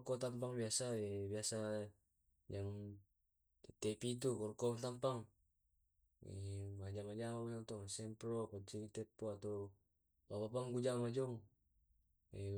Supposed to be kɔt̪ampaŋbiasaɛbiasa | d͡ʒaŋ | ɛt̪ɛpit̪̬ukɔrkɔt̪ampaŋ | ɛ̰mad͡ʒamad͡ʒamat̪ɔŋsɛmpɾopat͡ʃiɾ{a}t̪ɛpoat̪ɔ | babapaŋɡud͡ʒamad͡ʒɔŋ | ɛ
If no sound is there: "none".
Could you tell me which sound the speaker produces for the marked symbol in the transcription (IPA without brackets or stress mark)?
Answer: i